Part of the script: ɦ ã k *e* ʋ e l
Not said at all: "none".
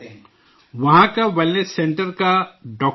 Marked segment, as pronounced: a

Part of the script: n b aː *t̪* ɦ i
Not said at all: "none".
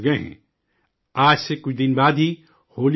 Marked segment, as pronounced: d̪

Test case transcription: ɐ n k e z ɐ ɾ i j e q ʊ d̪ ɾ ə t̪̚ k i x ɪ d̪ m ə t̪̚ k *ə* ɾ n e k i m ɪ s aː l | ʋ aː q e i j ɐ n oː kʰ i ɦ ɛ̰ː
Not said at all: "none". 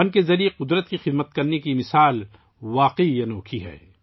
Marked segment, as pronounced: ɐ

